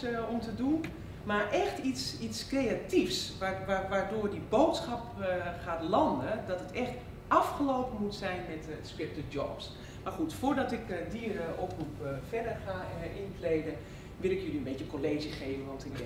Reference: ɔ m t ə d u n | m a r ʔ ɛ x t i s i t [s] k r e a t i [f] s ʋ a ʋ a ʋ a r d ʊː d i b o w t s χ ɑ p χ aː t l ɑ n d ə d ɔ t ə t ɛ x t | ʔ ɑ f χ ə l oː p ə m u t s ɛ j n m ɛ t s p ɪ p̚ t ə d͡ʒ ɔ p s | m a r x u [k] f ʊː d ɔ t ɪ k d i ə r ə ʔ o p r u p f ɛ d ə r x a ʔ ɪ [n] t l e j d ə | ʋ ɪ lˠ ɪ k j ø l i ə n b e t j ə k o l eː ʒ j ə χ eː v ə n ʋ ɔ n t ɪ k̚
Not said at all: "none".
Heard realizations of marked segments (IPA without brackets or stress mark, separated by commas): s, f, t, n